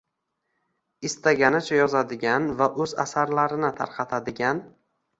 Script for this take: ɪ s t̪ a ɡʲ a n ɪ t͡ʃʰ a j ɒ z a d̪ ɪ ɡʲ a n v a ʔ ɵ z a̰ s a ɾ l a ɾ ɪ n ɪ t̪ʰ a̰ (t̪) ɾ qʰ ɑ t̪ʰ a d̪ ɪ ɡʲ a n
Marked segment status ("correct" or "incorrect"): incorrect